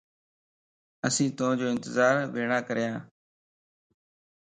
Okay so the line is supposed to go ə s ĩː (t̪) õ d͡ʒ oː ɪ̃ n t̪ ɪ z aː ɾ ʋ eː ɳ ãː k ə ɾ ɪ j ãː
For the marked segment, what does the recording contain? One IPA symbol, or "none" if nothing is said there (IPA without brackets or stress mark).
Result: t̪